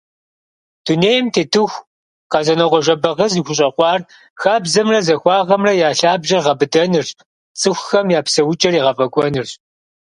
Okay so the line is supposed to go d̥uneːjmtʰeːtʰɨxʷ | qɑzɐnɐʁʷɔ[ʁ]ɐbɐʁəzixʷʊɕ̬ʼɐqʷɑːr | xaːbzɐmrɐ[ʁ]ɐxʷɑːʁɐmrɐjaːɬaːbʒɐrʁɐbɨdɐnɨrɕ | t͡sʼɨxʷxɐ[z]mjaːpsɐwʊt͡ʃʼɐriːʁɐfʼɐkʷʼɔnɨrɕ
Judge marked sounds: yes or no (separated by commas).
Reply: no, no, no